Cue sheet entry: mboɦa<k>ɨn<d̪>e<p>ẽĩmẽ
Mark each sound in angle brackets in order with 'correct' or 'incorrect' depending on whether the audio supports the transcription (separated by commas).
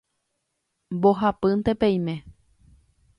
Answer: incorrect, incorrect, correct